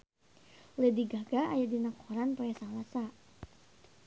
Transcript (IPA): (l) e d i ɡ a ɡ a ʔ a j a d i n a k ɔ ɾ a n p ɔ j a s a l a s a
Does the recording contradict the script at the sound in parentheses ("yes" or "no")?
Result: no